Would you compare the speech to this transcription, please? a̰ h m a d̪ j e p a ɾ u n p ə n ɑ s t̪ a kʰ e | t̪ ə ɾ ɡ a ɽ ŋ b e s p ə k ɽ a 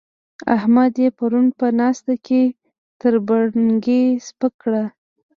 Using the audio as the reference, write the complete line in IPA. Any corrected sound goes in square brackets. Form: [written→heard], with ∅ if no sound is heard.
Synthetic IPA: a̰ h m a d̪ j e p a ɾ u n p ə n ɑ s t̪ a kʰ e | t̪ ə ɾ [ɡ→b] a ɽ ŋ [b→ɡ] e s p ə k ɽ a